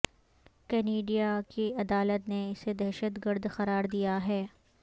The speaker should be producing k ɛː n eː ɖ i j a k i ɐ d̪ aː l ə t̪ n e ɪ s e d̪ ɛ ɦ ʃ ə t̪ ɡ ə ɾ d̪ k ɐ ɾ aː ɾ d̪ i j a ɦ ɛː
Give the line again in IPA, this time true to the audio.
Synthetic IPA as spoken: k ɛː n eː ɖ i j a k i ɐ d̪ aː l ə t̪ n e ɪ s e d̪ ɛ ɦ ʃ ə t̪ ɡ ə ɾ d̪ x ɐ ɾ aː ɾ d̪ i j a ɦ ɛː